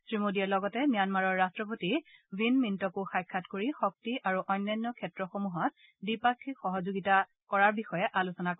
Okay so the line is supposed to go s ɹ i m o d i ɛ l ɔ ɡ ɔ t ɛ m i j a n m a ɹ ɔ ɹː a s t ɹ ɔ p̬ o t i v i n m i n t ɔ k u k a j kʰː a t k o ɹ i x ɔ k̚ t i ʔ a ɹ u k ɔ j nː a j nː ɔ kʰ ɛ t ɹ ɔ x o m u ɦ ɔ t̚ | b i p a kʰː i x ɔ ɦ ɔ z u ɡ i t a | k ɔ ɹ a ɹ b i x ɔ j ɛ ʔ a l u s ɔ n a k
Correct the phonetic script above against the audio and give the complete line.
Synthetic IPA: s ɹ i m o d i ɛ l ɔ ɡ ɔ t ɛ m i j a n m a ɹ ɔ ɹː a s t ɹ ɔ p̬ o t i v i n m i n t ɔ k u x a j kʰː a t k o ɹ i x ɔ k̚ t i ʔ a ɹ u ʔ ɔ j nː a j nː ɔ kʰ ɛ t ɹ ɔ x o m u ɦ ɔ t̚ | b i p a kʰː i x ɔ ɦ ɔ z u ɡ i t a | k ɔ ɹ a ɹ b i x ɔ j ɛ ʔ a l u s ɔ n a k